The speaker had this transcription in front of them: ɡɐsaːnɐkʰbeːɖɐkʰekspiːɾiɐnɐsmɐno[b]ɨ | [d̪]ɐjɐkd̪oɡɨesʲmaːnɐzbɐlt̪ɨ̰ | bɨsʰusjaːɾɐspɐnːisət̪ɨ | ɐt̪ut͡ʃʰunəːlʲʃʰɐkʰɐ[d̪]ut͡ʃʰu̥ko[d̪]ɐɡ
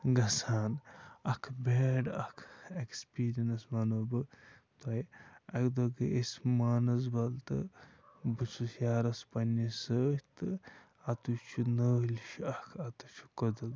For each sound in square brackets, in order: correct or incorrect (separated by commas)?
correct, incorrect, incorrect, correct